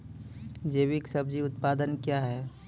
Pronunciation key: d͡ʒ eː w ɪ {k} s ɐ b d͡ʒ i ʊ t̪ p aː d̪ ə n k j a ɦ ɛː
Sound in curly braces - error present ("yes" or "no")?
no